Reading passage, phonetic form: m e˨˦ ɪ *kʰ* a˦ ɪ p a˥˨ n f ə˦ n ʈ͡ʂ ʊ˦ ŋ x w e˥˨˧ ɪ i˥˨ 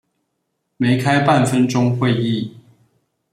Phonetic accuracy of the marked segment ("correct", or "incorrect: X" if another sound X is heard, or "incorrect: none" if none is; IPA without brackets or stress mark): correct